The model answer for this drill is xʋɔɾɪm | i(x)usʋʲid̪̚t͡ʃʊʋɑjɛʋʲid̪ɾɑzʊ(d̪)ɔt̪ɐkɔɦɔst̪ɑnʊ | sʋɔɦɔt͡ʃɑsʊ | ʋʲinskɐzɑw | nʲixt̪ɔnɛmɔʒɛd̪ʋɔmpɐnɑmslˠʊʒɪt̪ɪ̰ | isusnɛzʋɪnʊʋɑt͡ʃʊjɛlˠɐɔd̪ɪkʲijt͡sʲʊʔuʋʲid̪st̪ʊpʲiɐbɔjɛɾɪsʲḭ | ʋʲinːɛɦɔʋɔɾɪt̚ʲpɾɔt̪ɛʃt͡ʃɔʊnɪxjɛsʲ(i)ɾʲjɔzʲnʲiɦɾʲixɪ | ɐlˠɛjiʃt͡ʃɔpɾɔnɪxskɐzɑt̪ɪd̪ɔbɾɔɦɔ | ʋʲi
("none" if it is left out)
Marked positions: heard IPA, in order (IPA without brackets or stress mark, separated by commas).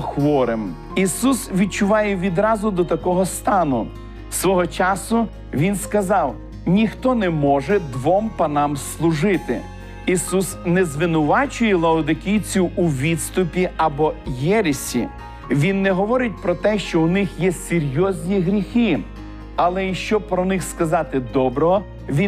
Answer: s, d̪, e